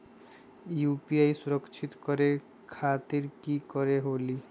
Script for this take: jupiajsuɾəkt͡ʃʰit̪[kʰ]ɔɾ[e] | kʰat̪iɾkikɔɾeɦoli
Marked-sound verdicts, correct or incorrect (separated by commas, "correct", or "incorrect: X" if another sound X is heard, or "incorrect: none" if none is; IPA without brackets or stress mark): incorrect: k, correct